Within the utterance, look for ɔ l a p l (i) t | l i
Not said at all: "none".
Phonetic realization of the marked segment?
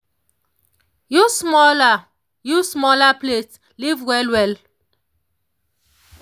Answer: e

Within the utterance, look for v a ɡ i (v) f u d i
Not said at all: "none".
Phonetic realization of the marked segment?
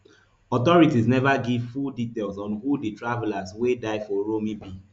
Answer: v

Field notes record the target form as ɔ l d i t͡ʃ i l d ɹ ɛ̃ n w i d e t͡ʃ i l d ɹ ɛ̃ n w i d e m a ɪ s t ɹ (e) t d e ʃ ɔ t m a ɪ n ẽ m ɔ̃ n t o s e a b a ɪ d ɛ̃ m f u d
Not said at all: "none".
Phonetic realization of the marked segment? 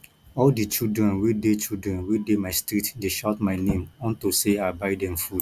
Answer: i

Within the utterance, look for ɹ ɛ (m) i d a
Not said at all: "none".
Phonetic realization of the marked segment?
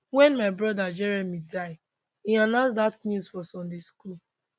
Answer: m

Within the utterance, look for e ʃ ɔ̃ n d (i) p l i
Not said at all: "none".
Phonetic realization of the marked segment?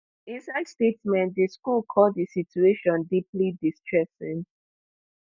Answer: i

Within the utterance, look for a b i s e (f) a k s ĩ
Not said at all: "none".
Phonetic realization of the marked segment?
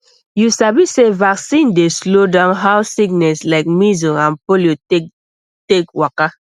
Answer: v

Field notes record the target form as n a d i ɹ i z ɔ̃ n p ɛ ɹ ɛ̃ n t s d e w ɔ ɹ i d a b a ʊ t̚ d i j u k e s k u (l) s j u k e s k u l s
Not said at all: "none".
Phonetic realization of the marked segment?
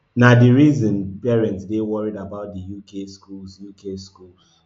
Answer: l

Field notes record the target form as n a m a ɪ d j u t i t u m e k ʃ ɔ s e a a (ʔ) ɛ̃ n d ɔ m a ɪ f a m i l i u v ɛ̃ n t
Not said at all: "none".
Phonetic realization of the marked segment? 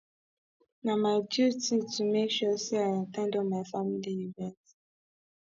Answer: t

